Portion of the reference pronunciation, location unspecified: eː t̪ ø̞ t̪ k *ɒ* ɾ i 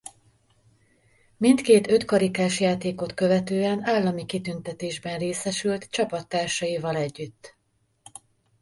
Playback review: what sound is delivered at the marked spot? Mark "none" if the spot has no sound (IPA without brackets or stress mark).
ɒ